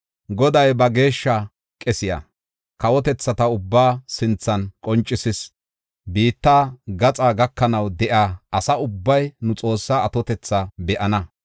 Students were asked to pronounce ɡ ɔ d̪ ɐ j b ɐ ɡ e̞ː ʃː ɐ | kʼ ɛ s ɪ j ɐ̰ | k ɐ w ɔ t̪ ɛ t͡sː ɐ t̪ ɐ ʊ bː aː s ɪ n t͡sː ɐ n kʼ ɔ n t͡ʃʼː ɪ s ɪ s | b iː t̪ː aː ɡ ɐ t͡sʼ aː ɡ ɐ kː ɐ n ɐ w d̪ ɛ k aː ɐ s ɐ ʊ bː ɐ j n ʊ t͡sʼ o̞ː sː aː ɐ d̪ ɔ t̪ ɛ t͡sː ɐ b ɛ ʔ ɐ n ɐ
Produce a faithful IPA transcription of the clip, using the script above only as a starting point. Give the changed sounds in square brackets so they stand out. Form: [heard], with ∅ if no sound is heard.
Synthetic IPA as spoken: ɡ ɔ d̪ ɐ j b ɐ ɡ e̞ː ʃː ɐ | kʼ ɛ s ɪ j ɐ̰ | k ɐ w ɔ t̪ ɛ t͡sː ɐ t̪ ɐ ʊ bː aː s ɪ n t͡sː ɐ n kʼ ɔ n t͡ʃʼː ɪ s ɪ s | b iː t̪ː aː ɡ ɐ t͡sʼ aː ɡ ɐ kː ɐ n ɐ w d̪ ɛ [ʔ] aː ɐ s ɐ ʊ bː ɐ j n ʊ t͡sʼ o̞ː sː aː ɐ [t̪] ɔ t̪ ɛ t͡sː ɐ b ɛ ʔ ɐ n ɐ